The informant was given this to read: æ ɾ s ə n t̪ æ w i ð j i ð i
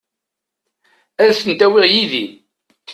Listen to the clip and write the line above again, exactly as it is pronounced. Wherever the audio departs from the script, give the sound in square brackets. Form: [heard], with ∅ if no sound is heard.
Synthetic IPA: æ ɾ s ə n t̪ æ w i [ʁ] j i ð i

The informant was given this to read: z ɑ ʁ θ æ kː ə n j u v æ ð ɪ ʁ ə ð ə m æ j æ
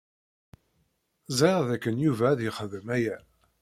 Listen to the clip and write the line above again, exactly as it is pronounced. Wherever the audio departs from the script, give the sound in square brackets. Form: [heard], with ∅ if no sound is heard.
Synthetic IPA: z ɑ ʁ [ð] æ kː ə n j u v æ ð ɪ [χ] ə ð ə m æ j æ

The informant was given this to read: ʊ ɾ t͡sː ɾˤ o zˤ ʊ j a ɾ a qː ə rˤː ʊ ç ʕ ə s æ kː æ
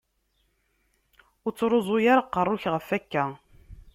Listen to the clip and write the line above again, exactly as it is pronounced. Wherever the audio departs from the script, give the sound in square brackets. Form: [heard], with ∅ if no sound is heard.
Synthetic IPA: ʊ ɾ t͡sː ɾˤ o zˤ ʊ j a ɾ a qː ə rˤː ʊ ç [ʁ] ə [f] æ kː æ

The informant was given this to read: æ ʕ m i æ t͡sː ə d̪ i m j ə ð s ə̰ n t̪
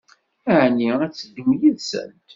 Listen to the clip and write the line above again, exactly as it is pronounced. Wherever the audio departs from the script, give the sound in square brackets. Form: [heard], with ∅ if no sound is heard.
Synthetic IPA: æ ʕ [n] i æ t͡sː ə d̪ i m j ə ð s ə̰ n t̪

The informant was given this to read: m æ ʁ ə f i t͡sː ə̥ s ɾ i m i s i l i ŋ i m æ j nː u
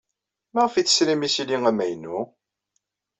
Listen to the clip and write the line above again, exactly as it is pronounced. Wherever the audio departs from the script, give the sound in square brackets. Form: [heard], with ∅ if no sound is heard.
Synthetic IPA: m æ ʁ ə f i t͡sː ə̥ s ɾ i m i s i l i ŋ [æ] m æ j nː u

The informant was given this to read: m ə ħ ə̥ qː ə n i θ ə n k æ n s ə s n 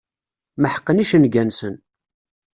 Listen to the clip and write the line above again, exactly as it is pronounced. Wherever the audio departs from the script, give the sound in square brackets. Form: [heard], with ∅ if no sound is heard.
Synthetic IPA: m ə ħ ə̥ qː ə n i [ʃ] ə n [ɡ] æ n s ə [∅] n

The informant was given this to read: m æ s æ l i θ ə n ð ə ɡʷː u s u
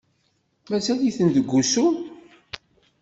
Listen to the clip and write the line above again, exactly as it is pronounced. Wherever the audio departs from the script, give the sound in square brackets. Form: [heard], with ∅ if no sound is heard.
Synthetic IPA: m æ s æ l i θ ə n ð ə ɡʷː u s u

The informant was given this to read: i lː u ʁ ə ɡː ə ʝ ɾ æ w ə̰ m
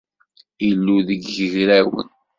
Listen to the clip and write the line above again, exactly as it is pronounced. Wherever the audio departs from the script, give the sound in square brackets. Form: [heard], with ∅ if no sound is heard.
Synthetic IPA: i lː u [ð] ə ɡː ə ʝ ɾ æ w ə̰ [n]

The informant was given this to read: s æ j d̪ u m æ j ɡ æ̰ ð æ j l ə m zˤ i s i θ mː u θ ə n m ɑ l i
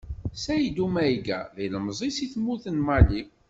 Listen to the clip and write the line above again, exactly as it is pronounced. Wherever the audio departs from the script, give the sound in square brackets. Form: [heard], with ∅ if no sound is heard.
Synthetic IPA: s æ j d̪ u m æ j ɡ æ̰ ð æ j l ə m zˤ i s i θ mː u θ ə n m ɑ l i

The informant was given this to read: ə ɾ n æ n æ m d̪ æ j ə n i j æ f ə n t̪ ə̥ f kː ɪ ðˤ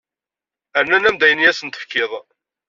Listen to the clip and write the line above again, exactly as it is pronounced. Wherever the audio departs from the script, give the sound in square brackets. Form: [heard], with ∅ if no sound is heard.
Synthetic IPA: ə ɾ n æ n æ m d̪ æ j ə n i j æ [s] ə n t̪ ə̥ f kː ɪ ðˤ

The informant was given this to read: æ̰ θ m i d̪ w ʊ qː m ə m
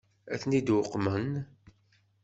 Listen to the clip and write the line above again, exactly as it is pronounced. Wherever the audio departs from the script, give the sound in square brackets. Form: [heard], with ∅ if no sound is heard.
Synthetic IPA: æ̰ θ [n] i d̪ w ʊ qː m ə [n]

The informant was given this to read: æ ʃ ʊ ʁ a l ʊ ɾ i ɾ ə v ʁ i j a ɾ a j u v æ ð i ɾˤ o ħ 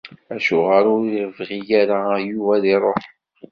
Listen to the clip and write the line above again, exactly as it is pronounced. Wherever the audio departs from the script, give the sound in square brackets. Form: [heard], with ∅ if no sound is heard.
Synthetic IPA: æ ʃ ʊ ʁ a [ɾ] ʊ ɾ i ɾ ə v ʁ i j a ɾ a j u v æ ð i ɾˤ o ħ

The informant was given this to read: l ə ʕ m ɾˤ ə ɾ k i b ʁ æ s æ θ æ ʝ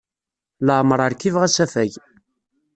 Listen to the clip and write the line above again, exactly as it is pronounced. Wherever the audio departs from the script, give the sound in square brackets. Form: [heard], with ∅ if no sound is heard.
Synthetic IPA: l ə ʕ m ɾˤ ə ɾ k i [v] ʁ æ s æ [f] æ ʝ

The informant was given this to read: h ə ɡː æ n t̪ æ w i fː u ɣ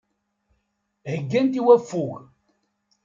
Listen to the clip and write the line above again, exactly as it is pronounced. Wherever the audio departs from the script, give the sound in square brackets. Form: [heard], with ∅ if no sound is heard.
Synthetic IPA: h ə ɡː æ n t̪ [i] w [æ] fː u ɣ

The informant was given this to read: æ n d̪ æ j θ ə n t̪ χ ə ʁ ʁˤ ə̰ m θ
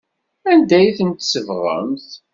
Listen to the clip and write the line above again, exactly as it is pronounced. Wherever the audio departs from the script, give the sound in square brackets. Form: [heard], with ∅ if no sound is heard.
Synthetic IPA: æ n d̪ æ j θ ə n t̪ [s] ə [v] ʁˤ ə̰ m θ

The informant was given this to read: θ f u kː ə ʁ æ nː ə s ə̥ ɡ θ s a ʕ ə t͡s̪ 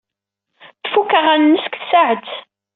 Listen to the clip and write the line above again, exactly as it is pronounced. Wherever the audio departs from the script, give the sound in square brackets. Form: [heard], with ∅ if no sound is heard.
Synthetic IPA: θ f u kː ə ʁ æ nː ə s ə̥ [k] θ s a ʕ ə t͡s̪

